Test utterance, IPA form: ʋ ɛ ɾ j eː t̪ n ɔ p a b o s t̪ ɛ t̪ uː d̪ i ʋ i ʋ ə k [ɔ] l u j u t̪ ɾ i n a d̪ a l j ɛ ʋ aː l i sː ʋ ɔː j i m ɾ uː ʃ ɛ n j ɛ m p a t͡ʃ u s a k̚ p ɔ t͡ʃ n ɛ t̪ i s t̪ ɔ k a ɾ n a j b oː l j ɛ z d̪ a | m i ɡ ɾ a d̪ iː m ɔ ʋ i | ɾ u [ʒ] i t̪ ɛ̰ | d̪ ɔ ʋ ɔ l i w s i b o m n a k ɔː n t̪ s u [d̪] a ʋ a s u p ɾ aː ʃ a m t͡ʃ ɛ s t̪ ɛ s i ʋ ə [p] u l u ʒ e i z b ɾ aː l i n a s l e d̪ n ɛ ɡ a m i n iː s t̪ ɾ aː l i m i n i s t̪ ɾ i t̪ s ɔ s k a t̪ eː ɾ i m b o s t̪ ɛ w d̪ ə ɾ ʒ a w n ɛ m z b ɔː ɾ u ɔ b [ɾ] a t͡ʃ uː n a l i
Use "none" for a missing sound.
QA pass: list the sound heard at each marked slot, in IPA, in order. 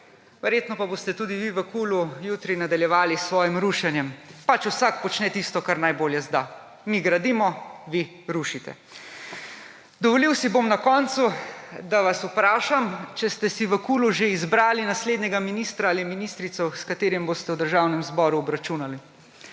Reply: u, ʃ, d̪, k, ɾ

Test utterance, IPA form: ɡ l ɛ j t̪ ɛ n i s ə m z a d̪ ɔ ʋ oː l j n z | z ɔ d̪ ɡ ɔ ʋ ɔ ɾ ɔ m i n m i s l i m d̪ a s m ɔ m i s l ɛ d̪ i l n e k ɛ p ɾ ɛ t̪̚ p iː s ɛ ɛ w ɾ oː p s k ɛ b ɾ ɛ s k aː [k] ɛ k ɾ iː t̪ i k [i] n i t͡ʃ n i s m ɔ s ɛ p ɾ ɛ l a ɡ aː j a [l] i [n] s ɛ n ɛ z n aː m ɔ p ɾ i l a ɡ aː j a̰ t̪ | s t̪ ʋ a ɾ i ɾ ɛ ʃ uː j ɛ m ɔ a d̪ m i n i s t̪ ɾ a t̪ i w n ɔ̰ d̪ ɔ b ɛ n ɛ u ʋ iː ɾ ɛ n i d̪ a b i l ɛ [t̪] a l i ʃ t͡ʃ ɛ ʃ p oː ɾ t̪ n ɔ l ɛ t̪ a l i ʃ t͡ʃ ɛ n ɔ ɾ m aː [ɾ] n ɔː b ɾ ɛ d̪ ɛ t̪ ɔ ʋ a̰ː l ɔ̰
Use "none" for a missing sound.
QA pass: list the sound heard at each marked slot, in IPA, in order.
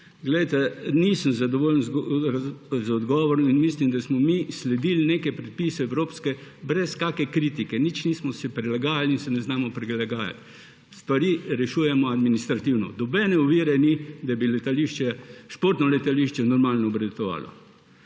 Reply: k, ɛ, l, n, t̪, l

